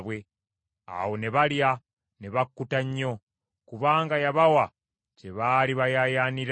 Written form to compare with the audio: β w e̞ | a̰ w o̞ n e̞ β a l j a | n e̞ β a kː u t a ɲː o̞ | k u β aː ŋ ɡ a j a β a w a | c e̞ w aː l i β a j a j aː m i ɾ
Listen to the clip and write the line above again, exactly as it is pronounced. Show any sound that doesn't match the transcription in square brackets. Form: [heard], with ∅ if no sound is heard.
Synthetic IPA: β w e̞ | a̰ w o̞ n e̞ β a l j a | n e̞ β a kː u t a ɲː o̞ | k u β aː ŋ ɡ a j a β a w a | c e̞ [β] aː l i β a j a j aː [n] i ɾ